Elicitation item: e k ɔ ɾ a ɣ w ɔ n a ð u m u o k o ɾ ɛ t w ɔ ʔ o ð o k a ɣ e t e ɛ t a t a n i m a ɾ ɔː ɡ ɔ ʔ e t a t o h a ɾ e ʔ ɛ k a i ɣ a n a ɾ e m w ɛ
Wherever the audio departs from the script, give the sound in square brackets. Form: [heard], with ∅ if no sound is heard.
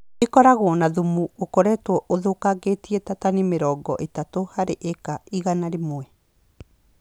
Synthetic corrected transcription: e k ɔ ɾ a ɣ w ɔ n a ð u m u o k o ɾ ɛ t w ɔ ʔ o ð o k a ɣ e t [i] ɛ t a t a n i m [e] ɾ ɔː ɡ ɔ ʔ e t a t o h a ɾ e ʔ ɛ k a i ɣ a n a ɾ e m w ɛ